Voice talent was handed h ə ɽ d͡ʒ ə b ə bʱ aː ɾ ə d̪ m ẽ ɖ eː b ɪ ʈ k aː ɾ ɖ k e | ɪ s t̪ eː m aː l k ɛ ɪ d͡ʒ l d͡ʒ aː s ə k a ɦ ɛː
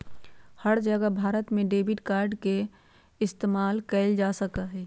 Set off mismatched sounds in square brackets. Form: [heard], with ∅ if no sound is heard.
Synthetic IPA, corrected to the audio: h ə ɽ d͡ʒ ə [ɡ] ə bʱ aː ɾ ə [t̪] m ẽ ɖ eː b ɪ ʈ k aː ɾ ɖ k e | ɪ s t̪ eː m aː l k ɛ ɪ [∅] l d͡ʒ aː s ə k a ɦ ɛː